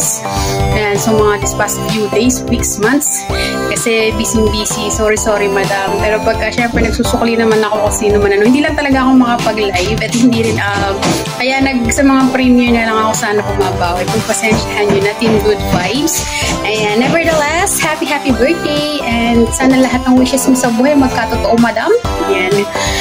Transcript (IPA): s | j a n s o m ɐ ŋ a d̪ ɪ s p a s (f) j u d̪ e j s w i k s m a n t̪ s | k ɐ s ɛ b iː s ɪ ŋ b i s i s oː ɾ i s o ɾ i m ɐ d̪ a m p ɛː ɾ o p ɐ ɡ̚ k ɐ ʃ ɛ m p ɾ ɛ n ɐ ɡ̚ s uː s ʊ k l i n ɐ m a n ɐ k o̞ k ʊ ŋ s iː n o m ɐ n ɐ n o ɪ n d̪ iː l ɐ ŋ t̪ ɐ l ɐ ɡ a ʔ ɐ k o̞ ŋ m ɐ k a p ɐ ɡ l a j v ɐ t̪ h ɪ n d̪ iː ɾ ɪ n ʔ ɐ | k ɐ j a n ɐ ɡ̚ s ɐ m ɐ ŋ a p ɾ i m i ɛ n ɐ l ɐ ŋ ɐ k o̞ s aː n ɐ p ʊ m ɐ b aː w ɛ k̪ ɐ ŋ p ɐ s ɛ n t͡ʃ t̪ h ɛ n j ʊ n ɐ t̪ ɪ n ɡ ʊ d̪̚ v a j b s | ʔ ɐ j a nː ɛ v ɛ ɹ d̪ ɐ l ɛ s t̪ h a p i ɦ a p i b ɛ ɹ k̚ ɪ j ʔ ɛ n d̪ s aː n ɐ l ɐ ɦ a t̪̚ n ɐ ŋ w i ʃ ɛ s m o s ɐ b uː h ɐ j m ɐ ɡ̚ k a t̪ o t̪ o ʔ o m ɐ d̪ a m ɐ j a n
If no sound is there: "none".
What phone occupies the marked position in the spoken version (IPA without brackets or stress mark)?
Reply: f